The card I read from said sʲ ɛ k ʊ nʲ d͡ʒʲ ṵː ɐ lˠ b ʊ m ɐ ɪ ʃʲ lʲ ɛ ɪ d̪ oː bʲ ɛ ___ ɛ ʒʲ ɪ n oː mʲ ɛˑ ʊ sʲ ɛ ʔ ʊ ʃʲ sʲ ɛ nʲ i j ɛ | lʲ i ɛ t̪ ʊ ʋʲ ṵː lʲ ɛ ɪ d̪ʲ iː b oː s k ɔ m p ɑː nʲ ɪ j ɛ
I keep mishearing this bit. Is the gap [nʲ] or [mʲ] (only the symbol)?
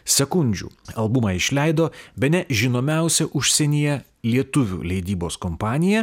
nʲ